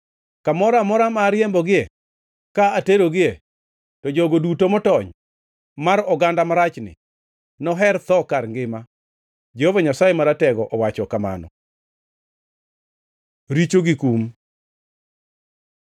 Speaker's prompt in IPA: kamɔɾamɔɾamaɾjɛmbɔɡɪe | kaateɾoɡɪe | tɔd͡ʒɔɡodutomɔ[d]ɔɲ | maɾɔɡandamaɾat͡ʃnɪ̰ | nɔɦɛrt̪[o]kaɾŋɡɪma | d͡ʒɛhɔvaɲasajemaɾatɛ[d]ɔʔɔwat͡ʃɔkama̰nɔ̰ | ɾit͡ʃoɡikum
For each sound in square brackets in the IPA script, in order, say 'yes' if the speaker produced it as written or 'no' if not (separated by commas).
no, no, no